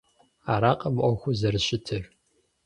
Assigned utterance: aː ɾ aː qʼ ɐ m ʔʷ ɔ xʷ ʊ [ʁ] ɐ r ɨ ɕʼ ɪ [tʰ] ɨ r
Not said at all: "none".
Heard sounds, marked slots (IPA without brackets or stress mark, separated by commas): z, tʰ